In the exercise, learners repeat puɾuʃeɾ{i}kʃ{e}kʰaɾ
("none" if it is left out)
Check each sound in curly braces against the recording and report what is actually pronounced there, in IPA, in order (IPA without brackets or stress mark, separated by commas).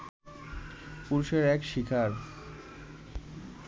ɛ, i